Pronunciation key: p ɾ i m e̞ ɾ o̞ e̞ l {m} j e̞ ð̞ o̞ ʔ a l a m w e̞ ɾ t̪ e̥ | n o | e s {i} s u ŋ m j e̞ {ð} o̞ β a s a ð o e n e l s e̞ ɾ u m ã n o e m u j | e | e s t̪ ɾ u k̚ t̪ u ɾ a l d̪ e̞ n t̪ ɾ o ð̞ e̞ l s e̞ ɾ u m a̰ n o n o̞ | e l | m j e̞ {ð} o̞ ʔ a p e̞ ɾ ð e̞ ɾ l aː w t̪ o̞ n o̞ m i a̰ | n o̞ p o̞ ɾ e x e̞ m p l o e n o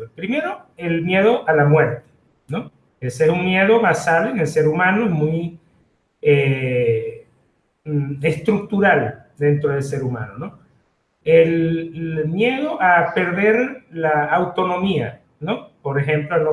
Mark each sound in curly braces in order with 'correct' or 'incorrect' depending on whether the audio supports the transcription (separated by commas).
correct, incorrect, correct, correct